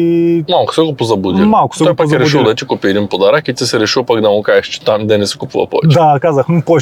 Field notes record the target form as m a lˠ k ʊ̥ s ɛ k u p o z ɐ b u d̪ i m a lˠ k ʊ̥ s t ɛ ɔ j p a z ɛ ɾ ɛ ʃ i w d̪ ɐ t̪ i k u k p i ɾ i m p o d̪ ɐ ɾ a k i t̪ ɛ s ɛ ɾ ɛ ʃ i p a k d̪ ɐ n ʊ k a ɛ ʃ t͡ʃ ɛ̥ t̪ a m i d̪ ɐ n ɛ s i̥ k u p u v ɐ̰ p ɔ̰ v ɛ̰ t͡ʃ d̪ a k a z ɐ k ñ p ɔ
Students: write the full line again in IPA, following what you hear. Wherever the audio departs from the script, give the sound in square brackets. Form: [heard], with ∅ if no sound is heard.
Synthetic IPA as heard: m a lˠ k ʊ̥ s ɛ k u p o z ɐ b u d̪ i m a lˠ k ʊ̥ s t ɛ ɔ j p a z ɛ ɾ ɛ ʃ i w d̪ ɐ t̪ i k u [∅] p i ɾ i m p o d̪ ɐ ɾ a k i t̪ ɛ s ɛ ɾ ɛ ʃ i p a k d̪ ɐ [m] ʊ k a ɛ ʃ t͡ʃ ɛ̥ t̪ a m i d̪ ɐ n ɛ s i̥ k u p u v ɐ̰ p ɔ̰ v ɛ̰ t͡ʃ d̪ a k a z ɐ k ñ p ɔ